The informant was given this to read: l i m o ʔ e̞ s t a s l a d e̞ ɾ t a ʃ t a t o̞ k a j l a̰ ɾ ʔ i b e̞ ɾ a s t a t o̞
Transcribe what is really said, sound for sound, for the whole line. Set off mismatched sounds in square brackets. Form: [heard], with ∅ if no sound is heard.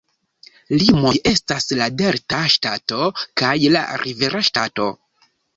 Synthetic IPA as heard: l i m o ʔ e̞ s t a s l a d e̞ ɾ t a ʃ t a t o̞ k a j l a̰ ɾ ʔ i [v] e̞ ɾ a [ʃ] t a t o̞